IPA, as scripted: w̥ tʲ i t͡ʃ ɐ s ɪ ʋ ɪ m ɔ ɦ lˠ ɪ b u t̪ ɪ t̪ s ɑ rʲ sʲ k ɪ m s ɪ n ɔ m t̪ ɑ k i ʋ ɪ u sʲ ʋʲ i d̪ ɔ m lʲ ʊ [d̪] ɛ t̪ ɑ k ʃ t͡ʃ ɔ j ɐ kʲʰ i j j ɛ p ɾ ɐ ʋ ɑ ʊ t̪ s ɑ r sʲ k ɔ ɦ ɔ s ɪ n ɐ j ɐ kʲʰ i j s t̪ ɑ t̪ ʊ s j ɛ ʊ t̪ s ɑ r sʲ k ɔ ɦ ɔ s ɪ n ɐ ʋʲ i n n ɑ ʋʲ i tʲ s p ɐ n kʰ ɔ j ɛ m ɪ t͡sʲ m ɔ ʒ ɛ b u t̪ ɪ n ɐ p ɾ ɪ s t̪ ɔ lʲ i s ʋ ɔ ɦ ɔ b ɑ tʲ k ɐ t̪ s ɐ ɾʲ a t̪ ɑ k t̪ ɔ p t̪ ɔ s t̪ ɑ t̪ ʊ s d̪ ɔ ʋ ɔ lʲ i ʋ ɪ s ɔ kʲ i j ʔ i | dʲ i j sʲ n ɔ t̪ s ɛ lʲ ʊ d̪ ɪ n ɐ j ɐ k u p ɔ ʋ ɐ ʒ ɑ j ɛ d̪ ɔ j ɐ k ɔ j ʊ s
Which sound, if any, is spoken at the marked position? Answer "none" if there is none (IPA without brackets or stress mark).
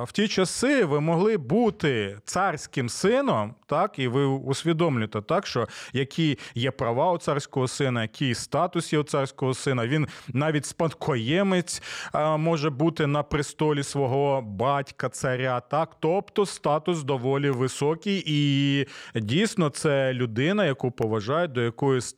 t̪